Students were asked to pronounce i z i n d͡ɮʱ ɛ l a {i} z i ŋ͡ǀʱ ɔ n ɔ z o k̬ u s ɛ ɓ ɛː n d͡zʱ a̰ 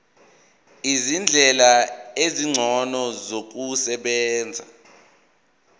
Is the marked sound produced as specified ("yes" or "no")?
no